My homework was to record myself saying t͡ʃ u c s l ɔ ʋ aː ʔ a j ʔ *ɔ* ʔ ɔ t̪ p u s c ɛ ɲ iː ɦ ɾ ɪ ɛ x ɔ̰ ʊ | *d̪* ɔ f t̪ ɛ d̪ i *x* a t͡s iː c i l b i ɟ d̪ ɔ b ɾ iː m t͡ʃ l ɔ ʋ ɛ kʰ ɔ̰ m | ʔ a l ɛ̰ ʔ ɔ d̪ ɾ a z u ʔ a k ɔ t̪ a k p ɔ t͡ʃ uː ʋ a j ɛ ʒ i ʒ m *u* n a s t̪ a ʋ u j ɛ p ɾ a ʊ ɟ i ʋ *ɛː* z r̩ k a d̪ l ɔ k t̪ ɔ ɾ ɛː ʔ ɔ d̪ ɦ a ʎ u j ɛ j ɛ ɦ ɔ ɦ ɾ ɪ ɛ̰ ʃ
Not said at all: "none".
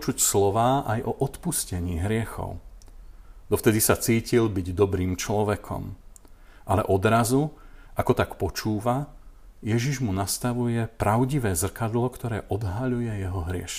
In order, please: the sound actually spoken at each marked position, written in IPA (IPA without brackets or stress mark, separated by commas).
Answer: ɔ, d̪, s, u, ɛː